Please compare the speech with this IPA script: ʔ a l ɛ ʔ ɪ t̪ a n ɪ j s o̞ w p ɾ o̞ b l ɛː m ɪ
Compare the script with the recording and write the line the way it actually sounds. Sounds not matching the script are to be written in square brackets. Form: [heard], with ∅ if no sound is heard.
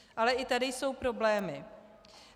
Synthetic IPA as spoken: ʔ a l ɛ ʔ ɪ t̪ a [d] ɪ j s o̞ w p ɾ o̞ b l ɛː m ɪ

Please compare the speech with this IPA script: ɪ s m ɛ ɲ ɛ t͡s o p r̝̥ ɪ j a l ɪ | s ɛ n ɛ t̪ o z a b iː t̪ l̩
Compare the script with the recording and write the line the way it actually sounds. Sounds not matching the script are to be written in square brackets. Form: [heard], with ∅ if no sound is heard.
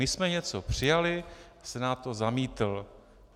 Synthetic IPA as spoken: ɪ s m ɛ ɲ ɛ t͡s o p r̝̥ ɪ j a l ɪ | s ɛ n [a] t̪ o z a [m] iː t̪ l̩

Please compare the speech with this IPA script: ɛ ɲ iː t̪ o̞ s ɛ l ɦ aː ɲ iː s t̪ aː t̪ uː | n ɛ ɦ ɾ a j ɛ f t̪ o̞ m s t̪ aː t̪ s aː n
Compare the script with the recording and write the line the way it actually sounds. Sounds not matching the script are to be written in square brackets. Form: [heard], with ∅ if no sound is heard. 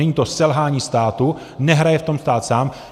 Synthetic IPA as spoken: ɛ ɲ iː t̪ o̞ s ɛ l ɦ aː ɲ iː s t̪ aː t̪ [u] | n ɛ ɦ ɾ a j ɛ f t̪ o̞ m s t̪ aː t̪ s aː [m]

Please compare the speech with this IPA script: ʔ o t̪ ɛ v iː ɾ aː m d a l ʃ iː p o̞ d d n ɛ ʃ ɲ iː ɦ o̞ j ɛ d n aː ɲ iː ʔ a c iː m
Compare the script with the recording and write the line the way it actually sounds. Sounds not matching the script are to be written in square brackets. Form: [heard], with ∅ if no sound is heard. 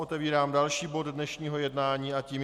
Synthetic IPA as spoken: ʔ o t̪ ɛ v iː ɾ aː m d a l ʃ iː [b] o̞ d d n ɛ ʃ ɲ iː ɦ o̞ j ɛ d n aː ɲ iː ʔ a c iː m

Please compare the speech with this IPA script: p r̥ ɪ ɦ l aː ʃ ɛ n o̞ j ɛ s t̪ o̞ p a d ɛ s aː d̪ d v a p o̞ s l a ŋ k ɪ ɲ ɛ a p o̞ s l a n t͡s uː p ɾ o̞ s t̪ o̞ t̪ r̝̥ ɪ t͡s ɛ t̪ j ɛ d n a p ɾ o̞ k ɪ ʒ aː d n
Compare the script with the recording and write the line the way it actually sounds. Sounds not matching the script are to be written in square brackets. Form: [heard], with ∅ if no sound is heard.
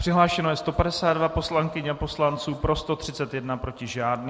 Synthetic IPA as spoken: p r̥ ɪ ɦ l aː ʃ ɛ n o̞ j ɛ s t̪ o̞ p a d ɛ s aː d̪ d v a p o̞ s l a ŋ k ɪ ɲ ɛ a p o̞ s l a n t͡s uː p ɾ o̞ s t̪ o̞ t̪ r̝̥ ɪ t͡s ɛ t̪ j ɛ d n a p ɾ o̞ [c] ɪ ʒ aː d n

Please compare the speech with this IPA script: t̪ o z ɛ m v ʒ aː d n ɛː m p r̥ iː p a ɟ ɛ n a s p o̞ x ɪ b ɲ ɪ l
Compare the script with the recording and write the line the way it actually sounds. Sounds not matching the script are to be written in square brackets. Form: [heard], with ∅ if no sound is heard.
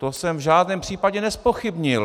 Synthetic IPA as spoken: t̪ o [s] ɛ m v ʒ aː d n ɛː m p r̥ iː p a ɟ ɛ n [ɛ] s p o̞ x ɪ b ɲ ɪ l

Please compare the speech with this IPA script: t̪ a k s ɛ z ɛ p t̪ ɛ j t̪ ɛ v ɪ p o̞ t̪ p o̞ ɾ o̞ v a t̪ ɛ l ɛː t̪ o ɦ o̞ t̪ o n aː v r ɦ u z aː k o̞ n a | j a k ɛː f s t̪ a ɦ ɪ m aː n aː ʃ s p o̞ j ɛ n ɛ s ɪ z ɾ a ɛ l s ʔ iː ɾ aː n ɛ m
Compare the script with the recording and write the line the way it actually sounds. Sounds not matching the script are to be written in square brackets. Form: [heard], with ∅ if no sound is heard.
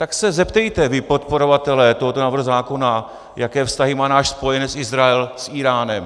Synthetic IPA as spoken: t̪ a k s ɛ z ɛ p t̪ ɛ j t̪ ɛ v ɪ p o̞ t̪ p o̞ ɾ o̞ v a t̪ ɛ l ɛː t̪ o ɦ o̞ t̪ o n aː v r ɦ u z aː k o̞ n a | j a k ɛː f s t̪ a ɦ ɪ m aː n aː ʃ s p o̞ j ɛ n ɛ s ɪ z ɾ a ɛ l s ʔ iː ɾ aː n ɛ m

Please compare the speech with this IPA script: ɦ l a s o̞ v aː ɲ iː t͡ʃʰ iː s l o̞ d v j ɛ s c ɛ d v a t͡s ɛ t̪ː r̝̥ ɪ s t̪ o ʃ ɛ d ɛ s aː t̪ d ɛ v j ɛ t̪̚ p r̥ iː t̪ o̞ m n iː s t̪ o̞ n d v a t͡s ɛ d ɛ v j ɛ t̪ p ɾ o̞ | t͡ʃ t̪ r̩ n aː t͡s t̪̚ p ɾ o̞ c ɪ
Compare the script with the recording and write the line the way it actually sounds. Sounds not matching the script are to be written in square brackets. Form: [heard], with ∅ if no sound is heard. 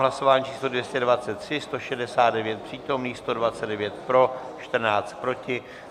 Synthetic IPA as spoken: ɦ l a s o̞ v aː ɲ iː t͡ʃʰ iː s l o̞ d v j ɛ s c ɛ d v a t͡s ɛ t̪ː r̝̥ ɪ s t̪ o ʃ ɛ d ɛ s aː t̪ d ɛ v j ɛ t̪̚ p r̥ iː t̪ o̞ m n iː s t̪ o̞ [∅] d v a t͡s ɛ d ɛ v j ɛ t̪ p ɾ o̞ | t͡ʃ t̪ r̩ n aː t͡s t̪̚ p ɾ o̞ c ɪ

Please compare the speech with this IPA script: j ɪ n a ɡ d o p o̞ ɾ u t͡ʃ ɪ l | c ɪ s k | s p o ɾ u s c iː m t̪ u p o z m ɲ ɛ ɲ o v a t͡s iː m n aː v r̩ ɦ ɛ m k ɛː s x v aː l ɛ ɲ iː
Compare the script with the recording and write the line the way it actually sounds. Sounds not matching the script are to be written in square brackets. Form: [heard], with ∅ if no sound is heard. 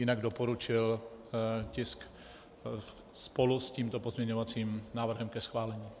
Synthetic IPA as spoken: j ɪ n a ɡ d o p o̞ ɾ u t͡ʃ ɪ l | c ɪ s k | s p o [l] u s c iː m t̪ [o] p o z m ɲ ɛ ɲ o v a t͡s iː m n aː v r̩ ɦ ɛ m k [ɛ] s x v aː l ɛ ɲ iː

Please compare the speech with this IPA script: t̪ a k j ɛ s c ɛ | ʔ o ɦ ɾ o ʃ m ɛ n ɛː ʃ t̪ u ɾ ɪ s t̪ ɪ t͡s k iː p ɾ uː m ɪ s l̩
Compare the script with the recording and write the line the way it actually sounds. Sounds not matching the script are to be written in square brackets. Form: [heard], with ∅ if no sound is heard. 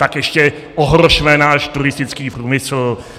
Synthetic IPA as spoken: t̪ a k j ɛ [ʃ] c ɛ | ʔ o ɦ ɾ o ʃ m ɛ n [aː] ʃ t̪ u ɾ ɪ s t̪ ɪ t͡s k iː p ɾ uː m ɪ s l̩

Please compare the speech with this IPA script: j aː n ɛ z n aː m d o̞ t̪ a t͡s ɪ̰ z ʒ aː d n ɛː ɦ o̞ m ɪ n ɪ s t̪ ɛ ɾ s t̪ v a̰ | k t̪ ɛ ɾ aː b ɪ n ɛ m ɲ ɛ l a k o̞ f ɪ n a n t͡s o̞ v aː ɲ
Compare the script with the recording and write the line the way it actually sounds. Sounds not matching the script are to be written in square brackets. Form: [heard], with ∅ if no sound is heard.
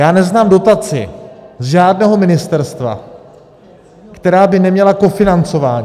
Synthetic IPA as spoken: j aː n ɛ z n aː m d o̞ t̪ a t͡s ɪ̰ z ʒ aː d n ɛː ɦ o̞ m ɪ n ɪ s t̪ ɛ ɾ s t̪ v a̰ | k t̪ ɛ ɾ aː b ɪ n ɛ m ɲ ɛ l a k o̞ f ɪ n a n t͡s o̞ v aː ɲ

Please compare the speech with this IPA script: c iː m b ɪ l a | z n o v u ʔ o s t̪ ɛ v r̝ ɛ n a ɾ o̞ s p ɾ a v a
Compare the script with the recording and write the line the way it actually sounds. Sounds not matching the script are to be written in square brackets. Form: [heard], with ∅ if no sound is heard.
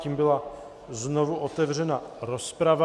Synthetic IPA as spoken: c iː m b ɪ l a | z n o v u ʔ o [∅] t̪ ɛ v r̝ ɛ n a ɾ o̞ s p ɾ a v a

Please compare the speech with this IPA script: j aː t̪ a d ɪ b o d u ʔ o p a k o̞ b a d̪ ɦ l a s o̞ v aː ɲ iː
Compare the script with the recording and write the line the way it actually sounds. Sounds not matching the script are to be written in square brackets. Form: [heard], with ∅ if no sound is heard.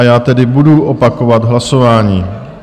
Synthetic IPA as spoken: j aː t̪ [ɛ] d ɪ b [u] d u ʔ o p a k o̞ [v] a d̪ ɦ l a s o̞ v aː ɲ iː

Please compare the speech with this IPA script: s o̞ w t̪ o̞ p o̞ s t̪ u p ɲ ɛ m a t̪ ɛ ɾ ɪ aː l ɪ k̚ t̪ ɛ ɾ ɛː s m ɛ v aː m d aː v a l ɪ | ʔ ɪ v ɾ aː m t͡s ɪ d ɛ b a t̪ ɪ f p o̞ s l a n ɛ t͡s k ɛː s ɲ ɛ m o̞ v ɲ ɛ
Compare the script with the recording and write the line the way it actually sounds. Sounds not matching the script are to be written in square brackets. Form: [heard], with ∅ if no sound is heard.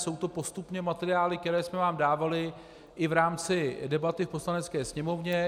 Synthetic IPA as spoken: s o̞ w t̪ o̞ p o̞ s t̪ u p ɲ ɛ m a t̪ ɛ ɾ ɪ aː l ɪ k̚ t̪ ɛ ɾ ɛː s m ɛ v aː m d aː v a l ɪ | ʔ ɪ v ɾ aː m t͡s ɪ d ɛ b a t̪ ɪ f p o̞ s l a n ɛ t͡s k ɛː s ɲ ɛ m o̞ v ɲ ɛ

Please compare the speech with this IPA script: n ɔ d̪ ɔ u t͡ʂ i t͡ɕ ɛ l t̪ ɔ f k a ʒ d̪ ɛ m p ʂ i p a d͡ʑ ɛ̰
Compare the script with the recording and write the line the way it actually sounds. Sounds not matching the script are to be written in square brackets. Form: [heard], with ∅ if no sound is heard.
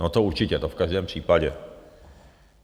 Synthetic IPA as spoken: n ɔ [t̪] ɔ u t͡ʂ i t͡ɕ ɛ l t̪ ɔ f k a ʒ d̪ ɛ m p ʂ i p a d͡ʑ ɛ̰

